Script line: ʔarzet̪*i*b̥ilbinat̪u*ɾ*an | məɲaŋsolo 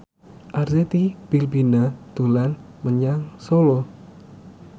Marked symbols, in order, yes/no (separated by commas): yes, no